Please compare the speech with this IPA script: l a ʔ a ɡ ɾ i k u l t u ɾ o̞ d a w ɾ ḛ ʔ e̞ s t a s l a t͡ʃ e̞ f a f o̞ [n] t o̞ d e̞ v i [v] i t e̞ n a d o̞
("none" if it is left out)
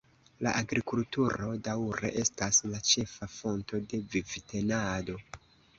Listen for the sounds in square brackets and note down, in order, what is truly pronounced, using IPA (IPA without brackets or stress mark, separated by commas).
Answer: n, v